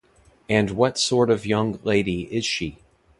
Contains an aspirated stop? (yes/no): no